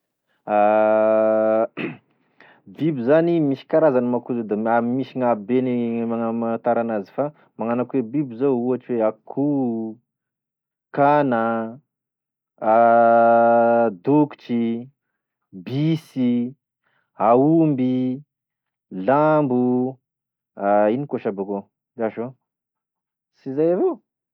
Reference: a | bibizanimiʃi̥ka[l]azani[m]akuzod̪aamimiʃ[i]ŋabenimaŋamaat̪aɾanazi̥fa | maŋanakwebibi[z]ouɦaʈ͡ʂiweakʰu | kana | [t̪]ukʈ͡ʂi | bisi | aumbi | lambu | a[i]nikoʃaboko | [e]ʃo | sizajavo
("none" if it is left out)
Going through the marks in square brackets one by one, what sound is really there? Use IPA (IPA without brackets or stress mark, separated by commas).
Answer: ɾ, m, i, z, d̪, i, a